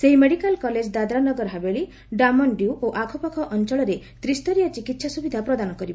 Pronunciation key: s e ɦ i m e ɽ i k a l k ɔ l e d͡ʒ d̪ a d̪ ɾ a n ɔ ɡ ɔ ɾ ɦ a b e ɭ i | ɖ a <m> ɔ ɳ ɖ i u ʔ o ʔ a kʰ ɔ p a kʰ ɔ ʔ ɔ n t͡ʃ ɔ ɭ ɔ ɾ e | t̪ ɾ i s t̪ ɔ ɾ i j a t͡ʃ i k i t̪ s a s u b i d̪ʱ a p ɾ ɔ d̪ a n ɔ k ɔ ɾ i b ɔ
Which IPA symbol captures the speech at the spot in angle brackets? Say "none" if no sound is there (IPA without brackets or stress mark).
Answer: m